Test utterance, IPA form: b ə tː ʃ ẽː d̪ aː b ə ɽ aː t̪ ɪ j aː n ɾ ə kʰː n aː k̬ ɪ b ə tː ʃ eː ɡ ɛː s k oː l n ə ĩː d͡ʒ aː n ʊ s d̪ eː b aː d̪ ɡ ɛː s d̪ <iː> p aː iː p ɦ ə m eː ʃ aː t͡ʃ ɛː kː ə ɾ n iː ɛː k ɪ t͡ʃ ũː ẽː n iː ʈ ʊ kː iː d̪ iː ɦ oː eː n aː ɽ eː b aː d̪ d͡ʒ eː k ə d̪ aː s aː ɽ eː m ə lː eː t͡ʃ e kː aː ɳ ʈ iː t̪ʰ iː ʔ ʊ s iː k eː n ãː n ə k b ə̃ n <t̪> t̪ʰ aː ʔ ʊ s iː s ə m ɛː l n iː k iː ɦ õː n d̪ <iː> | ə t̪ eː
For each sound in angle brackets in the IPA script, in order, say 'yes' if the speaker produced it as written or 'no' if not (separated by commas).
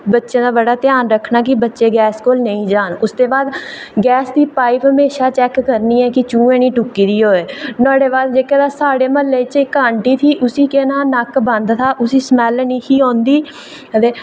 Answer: yes, no, yes